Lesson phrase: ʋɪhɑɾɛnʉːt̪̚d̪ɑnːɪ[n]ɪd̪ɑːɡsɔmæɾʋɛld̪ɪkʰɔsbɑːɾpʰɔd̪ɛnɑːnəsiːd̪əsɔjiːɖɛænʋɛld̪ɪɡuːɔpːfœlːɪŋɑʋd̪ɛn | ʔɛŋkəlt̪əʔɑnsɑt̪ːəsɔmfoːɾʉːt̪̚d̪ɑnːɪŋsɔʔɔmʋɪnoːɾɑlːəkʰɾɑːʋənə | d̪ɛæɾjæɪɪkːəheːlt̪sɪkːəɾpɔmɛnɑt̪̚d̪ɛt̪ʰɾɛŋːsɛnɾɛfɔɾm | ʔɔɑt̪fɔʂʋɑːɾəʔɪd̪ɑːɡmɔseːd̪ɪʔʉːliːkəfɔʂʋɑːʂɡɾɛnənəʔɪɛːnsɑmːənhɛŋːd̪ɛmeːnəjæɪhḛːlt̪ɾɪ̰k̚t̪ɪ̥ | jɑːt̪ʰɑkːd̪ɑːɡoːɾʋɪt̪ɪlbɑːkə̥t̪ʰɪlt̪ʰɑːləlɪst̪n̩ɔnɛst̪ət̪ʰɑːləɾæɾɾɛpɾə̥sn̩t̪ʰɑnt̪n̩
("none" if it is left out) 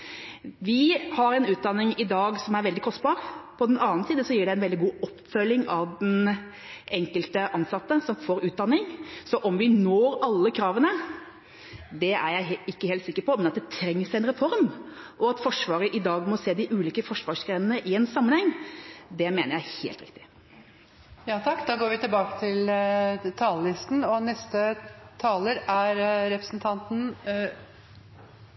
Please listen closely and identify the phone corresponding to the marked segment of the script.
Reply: ŋ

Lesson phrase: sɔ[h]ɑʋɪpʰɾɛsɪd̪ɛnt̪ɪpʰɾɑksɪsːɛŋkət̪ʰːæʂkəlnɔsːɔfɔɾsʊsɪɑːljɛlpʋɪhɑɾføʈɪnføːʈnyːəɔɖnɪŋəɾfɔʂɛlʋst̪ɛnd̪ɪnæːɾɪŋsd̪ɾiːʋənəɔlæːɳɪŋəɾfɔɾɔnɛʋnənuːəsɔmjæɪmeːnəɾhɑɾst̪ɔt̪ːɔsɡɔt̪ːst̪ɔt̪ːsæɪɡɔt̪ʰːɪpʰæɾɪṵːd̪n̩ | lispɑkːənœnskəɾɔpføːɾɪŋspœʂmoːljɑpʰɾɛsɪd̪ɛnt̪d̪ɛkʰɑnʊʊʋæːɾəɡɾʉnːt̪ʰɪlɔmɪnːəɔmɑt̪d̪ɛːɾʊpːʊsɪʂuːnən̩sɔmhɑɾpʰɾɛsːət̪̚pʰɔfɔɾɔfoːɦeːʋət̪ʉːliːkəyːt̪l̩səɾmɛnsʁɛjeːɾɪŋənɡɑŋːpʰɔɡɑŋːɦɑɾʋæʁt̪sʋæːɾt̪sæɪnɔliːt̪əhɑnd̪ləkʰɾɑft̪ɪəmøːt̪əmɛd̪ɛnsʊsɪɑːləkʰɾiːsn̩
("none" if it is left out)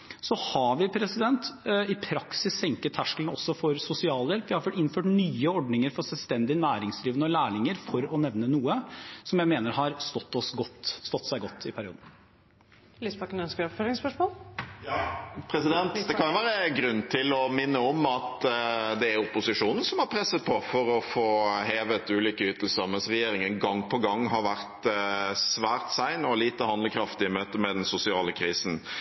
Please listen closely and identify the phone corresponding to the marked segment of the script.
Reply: h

